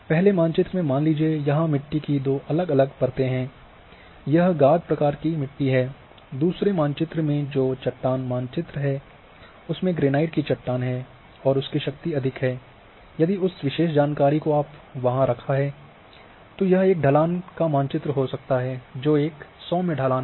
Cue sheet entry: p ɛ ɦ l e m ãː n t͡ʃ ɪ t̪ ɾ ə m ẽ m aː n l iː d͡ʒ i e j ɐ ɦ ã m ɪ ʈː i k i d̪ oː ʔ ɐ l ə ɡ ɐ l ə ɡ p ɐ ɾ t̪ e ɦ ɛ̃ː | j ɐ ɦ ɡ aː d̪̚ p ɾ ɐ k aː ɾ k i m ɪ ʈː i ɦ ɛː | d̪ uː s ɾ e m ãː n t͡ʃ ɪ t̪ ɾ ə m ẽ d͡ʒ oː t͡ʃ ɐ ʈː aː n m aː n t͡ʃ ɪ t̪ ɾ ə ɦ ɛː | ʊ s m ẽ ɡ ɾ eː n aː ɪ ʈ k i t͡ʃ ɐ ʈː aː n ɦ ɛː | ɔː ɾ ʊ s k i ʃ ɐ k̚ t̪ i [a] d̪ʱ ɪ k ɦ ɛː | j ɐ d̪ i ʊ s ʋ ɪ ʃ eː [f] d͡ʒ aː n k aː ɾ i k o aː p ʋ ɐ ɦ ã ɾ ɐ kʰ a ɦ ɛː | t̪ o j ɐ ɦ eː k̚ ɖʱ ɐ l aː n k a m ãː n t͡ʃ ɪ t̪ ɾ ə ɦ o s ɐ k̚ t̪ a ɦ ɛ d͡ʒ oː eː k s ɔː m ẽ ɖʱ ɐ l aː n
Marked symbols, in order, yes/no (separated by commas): no, no